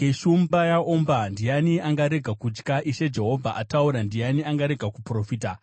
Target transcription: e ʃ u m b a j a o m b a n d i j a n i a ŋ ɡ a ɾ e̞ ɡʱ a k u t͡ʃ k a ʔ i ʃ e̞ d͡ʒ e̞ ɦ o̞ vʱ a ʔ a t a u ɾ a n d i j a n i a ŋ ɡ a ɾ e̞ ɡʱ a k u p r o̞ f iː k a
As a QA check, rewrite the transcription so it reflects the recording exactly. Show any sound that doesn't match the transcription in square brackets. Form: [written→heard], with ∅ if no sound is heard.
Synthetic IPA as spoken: e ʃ u m b a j a o m b a n d i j a n i a ŋ ɡ a ɾ e̞ ɡʱ a k u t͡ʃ k a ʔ i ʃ e̞ d͡ʒ e̞ ɦ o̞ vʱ a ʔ a t a u ɾ a n d i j a n i a ŋ ɡ a ɾ e̞ ɡʱ a k u p r o̞ f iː [k→t] a